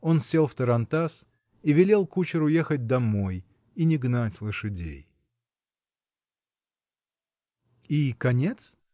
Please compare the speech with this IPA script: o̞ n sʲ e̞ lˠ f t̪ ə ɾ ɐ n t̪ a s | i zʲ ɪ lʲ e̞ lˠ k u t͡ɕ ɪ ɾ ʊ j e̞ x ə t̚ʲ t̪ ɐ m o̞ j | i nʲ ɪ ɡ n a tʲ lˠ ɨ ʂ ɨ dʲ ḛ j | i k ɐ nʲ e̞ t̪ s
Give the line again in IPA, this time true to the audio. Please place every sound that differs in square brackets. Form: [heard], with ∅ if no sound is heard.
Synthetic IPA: o̞ n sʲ e̞ lˠ f t̪ ə ɾ ɐ n t̪ a s | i [vʲ] ɪ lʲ e̞ lˠ k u t͡ɕ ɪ ɾ ʊ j e̞ x ə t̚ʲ [d̪] ɐ m o̞ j | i nʲ ɪ ɡ n a tʲ lˠ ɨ ʂ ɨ dʲ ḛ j | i k ɐ nʲ e̞ t̪ s